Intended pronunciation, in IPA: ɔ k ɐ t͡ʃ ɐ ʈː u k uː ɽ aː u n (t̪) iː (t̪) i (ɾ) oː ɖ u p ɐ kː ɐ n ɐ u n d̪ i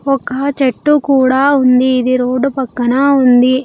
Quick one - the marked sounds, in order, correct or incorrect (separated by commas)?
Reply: incorrect, incorrect, correct